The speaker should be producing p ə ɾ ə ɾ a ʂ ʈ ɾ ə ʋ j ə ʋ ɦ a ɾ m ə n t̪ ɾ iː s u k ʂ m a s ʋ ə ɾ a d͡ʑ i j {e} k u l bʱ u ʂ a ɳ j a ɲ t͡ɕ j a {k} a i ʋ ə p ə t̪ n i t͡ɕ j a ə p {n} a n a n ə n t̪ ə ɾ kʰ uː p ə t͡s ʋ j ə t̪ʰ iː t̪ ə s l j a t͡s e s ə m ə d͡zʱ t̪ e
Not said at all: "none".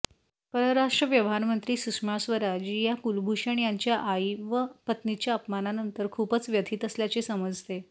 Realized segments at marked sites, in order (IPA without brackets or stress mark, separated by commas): a, ʔ, m